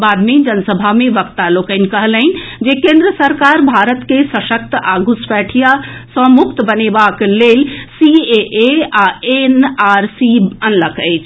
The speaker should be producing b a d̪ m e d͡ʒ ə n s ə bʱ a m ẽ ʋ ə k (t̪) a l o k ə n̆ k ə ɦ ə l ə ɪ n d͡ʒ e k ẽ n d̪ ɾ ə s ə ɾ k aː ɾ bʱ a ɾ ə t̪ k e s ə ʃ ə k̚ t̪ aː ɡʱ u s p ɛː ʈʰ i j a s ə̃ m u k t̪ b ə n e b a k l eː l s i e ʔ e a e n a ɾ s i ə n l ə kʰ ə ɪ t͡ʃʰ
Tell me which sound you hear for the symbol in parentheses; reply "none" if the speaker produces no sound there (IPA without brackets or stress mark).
t̪